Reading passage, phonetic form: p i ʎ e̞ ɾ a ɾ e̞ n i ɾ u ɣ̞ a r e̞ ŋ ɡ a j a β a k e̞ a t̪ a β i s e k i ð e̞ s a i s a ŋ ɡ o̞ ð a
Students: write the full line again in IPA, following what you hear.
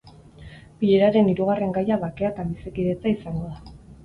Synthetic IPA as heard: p i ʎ e̞ ɾ a ɾ e̞ n i ɾ u ɣ̞ a r e̞ ŋ ɡ a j a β a k e̞ a t̪ a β i s e k i ð e̞ t͡s a i s a ŋ ɡ o̞ ð a